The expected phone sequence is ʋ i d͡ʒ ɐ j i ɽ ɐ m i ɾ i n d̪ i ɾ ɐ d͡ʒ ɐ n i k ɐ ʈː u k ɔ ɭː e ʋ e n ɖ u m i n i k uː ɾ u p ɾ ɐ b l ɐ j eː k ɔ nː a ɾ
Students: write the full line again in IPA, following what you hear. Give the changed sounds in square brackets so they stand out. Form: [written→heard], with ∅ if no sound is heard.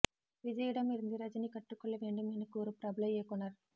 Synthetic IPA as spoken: ʋ i d͡ʒ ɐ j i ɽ ɐ m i ɾ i n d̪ i ɾ ɐ d͡ʒ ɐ n i k ɐ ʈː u k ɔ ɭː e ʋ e [n→ɳ] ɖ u m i n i k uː ɾ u p ɾ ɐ b l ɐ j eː k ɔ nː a ɾ